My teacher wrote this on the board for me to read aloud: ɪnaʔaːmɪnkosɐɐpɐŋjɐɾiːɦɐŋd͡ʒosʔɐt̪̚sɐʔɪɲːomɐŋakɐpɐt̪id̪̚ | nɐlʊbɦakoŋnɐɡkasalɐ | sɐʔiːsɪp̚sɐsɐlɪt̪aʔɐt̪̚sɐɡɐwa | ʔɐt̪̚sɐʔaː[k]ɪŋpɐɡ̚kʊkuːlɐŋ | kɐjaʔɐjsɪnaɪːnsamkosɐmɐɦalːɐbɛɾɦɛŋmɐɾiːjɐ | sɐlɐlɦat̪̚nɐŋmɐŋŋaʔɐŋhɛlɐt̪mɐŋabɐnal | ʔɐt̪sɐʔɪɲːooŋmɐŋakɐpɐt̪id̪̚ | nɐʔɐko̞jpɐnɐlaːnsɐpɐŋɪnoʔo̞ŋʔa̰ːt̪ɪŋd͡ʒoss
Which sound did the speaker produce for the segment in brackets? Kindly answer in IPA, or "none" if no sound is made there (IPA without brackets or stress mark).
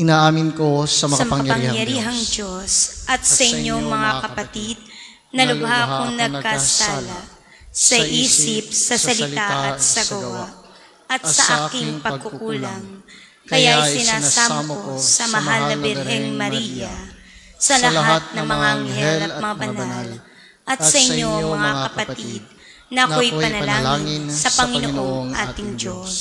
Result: k